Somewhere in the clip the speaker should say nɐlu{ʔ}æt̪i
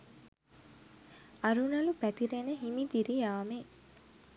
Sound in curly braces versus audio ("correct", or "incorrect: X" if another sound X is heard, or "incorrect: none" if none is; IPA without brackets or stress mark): incorrect: p